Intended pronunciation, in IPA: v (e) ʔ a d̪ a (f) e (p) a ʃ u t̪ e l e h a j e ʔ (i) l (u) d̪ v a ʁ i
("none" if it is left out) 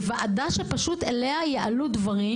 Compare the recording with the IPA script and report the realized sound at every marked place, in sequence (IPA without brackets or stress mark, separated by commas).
a, ʃ, p, a, u